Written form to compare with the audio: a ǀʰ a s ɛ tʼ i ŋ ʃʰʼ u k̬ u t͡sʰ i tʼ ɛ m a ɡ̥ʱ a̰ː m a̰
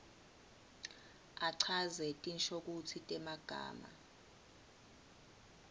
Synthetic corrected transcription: a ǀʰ a z ɛ tʼ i n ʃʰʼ o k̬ u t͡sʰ i tʼ ɛ m a ɡ̥ʱ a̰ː m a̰